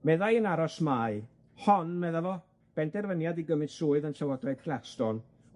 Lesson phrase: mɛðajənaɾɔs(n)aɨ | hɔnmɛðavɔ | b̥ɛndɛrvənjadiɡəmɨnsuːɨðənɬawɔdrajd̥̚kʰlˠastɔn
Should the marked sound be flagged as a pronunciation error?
yes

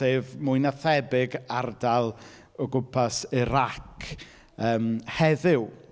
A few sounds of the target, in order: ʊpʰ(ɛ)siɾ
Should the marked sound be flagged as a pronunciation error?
yes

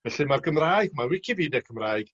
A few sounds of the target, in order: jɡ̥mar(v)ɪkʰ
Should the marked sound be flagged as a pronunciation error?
yes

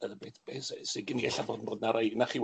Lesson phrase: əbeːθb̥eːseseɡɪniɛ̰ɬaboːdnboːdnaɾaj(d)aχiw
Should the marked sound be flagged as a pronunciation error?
yes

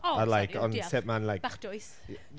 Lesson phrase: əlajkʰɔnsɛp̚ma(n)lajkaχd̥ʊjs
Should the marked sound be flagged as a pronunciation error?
no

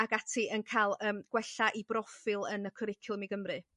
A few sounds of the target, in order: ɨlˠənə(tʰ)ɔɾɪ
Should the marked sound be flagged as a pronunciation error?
yes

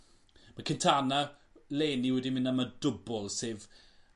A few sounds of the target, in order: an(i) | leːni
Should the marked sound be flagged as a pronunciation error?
yes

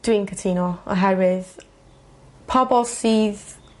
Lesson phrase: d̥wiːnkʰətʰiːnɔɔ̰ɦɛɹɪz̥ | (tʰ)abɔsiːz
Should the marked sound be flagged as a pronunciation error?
yes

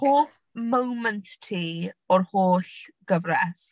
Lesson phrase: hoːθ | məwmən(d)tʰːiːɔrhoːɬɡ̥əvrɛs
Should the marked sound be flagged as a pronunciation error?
yes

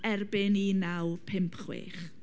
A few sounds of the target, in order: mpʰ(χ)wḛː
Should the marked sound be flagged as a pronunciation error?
no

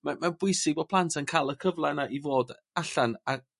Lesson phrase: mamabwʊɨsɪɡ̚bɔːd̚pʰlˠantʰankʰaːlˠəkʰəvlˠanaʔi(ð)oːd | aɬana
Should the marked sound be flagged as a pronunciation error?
yes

